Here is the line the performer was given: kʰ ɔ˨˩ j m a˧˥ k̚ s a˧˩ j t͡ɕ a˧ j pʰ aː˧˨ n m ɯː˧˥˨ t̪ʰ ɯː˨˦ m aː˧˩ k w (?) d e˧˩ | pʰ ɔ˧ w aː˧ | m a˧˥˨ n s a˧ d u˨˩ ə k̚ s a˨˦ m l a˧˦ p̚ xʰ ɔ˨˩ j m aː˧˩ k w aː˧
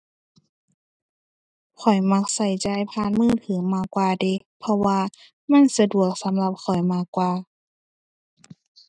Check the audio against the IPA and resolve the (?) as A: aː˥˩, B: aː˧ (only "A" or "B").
B